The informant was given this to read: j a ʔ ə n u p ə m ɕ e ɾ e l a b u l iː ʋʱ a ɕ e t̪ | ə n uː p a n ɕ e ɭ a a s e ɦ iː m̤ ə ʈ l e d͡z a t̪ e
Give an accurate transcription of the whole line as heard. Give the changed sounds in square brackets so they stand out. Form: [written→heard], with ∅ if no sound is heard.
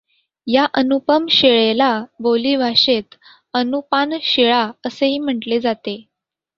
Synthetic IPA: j a ʔ ə n u p ə m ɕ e [ɾ→ɭ] e l a b [u→o] l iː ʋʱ a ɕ e t̪ | ə n [uː→u] p a n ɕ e ɭ a [a→ə] s e ɦ iː m̤ ə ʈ l e d͡z a t̪ e